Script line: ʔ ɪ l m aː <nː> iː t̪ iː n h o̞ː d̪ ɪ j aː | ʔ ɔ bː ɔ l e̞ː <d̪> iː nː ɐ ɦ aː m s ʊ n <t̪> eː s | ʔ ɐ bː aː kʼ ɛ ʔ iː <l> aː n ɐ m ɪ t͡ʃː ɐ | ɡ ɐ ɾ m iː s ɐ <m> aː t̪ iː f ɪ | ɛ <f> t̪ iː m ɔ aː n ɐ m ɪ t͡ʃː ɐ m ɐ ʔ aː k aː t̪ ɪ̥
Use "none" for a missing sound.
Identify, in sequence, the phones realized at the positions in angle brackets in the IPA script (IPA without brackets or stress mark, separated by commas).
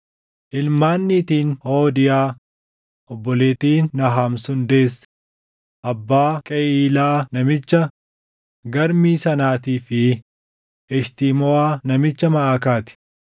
nː, t̪, d̪, l, n, ʃ